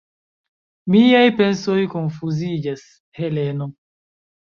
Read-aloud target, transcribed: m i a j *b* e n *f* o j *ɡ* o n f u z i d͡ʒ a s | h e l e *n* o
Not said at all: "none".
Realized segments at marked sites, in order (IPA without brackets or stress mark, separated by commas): p, s, k, n